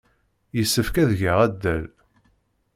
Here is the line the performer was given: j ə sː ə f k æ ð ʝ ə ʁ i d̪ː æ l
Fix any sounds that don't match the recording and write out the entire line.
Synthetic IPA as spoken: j ə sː ə f k æ ð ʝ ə ʁ æ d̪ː æ l